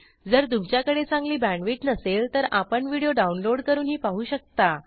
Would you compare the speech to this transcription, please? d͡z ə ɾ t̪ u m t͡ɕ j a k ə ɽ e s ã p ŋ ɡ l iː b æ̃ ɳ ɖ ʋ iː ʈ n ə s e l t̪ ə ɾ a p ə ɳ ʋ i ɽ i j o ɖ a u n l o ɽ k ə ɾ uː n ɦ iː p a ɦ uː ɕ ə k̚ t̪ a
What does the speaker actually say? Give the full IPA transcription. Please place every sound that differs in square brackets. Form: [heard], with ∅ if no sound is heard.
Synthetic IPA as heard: d͡z ə ɾ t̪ u m t͡ɕ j a k ə ɽ e [t͡s] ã [∅] ŋ ɡ l iː b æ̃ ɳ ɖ ʋ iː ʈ n ə s e l t̪ ə ɾ a p ə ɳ ʋ i ɽ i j o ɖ a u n l o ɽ k ə ɾ uː n ɦ iː p a ɦ uː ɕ ə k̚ t̪ a